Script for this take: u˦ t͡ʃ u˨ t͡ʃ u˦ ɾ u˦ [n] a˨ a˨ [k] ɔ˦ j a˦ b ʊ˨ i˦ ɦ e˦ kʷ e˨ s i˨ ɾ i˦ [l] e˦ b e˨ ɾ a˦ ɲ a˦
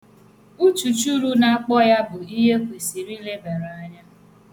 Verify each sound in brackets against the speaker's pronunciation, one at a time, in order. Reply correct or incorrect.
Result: correct, incorrect: k͡p, correct

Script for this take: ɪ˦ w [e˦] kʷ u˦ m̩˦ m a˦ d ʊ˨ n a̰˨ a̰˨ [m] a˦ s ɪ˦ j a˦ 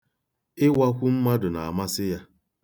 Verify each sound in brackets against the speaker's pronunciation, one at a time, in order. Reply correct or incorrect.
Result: incorrect: a˦, correct

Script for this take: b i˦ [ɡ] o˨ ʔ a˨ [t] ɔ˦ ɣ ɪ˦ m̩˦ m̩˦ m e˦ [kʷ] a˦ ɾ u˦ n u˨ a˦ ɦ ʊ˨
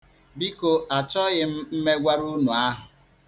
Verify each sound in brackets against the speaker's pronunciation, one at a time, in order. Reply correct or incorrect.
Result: incorrect: k, incorrect: t͡ʃ, incorrect: ɡʷ

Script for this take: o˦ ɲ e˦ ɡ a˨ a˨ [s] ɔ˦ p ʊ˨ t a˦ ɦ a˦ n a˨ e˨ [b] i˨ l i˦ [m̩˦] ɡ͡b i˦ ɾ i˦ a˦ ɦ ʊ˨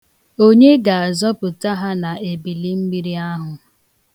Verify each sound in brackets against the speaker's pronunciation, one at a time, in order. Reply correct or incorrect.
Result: incorrect: z, correct, correct

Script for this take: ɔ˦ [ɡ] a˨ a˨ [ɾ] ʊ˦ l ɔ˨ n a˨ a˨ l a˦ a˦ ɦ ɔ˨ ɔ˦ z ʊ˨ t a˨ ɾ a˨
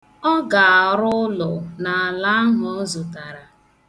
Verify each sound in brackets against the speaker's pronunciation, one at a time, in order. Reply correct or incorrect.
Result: correct, correct

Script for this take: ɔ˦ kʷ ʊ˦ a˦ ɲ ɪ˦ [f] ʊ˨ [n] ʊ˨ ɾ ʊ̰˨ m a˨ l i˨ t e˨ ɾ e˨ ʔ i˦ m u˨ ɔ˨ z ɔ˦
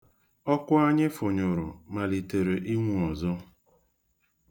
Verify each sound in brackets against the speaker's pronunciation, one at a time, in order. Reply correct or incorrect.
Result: correct, incorrect: ɲ

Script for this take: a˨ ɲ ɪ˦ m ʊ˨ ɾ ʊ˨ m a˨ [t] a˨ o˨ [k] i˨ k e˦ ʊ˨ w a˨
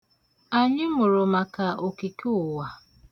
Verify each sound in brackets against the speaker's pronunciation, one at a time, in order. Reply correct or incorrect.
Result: incorrect: k, correct

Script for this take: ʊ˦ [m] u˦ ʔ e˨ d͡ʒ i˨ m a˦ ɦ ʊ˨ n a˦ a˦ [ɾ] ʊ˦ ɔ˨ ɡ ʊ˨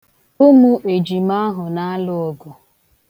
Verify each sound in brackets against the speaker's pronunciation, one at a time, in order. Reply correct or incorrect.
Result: correct, incorrect: l

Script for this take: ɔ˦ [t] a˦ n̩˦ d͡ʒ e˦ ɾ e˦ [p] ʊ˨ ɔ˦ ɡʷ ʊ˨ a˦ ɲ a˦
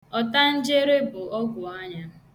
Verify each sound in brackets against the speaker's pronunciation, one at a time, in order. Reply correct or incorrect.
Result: correct, incorrect: b

